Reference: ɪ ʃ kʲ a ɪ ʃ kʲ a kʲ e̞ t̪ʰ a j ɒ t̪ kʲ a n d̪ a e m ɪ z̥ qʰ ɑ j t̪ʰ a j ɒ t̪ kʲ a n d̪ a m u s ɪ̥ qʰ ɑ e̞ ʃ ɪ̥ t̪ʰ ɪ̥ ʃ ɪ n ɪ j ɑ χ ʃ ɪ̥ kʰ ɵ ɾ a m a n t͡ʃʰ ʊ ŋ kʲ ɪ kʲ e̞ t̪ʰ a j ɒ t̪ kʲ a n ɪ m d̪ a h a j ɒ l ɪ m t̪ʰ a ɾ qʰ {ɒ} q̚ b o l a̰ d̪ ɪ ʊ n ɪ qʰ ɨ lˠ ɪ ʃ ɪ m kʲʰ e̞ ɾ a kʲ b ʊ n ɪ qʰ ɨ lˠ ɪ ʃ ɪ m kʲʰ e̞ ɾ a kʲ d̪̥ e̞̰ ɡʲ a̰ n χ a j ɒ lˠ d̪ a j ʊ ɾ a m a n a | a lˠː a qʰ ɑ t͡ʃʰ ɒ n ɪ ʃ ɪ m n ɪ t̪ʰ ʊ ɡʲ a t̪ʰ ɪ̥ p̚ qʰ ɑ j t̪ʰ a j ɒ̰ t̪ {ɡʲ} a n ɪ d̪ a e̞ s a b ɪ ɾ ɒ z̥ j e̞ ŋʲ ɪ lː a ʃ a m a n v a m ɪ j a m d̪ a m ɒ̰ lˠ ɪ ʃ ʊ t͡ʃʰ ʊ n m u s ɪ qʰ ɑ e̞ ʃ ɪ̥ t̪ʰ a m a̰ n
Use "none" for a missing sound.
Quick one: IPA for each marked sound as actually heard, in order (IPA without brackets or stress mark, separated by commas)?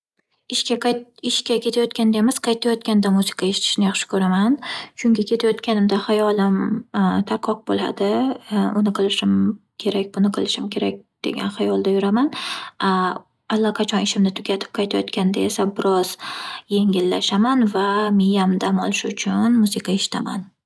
ɒ, kʲ